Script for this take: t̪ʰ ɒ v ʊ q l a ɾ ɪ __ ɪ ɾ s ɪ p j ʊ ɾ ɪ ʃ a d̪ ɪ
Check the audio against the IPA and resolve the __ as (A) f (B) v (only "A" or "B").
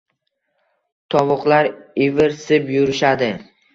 B